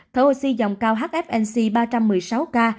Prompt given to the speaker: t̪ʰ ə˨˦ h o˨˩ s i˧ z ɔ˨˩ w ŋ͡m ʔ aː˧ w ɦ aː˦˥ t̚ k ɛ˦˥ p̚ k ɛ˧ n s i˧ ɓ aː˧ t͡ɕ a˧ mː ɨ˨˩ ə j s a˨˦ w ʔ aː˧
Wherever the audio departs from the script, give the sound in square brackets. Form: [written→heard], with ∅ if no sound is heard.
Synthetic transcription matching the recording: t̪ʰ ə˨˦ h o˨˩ s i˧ z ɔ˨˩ w ŋ͡m [ʔ→k] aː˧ w ɦ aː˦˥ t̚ [k→ʔ] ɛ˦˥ p̚ [k→ʔ] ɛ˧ n s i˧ ɓ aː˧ t͡ɕ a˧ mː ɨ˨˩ ə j s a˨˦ w [ʔ→k] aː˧

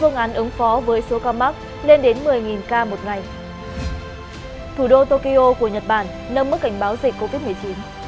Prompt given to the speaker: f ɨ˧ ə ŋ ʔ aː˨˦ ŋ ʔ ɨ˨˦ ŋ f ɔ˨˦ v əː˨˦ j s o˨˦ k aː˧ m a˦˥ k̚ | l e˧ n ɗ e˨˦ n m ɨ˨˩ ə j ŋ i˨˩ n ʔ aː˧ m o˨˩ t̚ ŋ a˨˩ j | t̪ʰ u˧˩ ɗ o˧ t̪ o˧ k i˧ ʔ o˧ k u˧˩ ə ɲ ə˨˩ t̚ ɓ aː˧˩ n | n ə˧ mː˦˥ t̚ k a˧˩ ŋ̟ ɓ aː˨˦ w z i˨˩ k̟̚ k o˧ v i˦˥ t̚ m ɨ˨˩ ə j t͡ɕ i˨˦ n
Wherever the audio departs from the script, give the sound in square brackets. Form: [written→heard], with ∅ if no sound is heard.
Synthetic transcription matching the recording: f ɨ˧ ə ŋ ʔ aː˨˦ [ŋ→n] ʔ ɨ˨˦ ŋ f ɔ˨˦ v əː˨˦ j s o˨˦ k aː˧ m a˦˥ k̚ | l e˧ n ɗ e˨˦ n m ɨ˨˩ ə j ŋ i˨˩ n [ʔ→k] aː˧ m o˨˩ t̚ ŋ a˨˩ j | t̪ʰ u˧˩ ɗ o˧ t̪ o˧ k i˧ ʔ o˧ k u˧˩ ə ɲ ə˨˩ t̚ ɓ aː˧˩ n | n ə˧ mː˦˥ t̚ k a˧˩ ŋ̟ ɓ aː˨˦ w z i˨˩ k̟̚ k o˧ v i˦˥ t̚ m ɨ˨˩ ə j t͡ɕ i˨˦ n

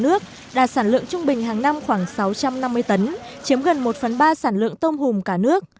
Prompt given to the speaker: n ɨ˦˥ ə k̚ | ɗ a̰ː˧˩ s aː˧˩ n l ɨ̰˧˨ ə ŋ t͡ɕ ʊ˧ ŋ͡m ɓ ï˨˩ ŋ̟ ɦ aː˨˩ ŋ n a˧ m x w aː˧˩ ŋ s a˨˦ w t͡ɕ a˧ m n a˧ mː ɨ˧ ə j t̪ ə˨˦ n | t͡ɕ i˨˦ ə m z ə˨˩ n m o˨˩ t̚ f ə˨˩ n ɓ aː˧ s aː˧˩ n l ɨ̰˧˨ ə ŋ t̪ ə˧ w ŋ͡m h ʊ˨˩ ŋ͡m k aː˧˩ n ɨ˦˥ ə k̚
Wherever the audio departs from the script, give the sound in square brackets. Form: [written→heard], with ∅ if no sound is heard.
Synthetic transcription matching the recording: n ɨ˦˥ ə k̚ | ɗ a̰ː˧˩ s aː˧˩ n l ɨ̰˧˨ ə ŋ t͡ɕ ʊ˧ ŋ͡m ɓ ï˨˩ ŋ̟ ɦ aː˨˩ ŋ n a˧ m x w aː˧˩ ŋ s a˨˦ w t͡ɕ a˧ m n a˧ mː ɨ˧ ə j t̪ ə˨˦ n | t͡ɕ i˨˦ ə m [z→ɣ] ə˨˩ n m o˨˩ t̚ f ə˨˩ n ɓ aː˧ s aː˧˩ n l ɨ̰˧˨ ə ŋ t̪ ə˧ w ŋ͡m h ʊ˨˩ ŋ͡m k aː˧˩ n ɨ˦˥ ə k̚

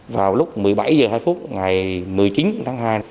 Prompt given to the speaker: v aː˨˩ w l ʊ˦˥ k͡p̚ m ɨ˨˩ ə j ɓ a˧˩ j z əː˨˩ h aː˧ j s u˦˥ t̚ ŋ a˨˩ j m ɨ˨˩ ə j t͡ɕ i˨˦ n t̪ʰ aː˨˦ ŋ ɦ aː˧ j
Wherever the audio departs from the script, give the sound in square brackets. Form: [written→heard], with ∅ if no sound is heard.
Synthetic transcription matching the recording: v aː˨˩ w l ʊ˦˥ k͡p̚ m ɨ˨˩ ə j ɓ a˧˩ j z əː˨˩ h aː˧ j [s→f] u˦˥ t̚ ŋ a˨˩ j m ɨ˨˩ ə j t͡ɕ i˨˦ n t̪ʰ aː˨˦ ŋ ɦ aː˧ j

